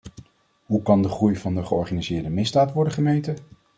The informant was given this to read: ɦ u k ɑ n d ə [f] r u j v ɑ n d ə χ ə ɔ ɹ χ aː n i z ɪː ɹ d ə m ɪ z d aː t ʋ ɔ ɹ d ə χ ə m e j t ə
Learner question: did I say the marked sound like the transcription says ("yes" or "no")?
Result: no